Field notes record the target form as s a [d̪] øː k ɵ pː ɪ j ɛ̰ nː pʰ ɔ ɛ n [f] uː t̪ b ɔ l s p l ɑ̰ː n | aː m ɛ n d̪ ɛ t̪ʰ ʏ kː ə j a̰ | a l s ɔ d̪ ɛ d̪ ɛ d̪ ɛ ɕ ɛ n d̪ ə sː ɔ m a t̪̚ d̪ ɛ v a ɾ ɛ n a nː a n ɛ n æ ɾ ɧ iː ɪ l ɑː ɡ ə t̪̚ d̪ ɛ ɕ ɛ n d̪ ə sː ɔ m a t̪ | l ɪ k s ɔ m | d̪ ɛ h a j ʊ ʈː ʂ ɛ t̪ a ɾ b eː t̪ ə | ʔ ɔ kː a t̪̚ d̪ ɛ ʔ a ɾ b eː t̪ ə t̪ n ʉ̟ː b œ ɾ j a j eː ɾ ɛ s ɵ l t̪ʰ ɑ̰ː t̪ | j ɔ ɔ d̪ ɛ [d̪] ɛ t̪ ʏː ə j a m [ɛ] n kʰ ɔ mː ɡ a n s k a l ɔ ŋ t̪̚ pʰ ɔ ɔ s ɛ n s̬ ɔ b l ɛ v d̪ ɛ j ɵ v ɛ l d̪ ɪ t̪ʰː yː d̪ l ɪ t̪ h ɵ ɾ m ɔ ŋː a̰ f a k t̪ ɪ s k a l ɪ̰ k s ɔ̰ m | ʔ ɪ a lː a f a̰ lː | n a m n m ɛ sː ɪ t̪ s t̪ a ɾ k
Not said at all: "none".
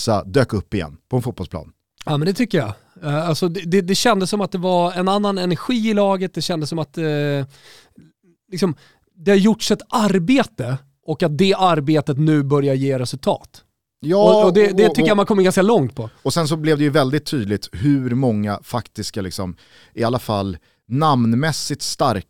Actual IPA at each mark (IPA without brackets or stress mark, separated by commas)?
d̪, f, d̪, a